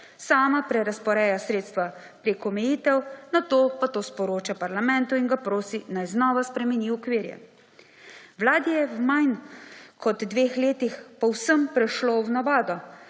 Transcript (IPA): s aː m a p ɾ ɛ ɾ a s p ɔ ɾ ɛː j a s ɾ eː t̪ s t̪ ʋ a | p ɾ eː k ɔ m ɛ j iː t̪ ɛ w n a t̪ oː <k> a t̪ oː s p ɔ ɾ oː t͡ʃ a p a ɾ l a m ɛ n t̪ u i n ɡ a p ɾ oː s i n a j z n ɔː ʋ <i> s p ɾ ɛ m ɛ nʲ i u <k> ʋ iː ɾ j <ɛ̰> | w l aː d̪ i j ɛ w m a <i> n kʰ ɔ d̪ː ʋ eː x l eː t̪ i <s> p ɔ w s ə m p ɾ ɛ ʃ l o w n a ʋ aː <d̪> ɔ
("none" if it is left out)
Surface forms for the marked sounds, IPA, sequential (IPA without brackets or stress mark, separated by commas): p, a, k, ɛ̰, j, x, d̪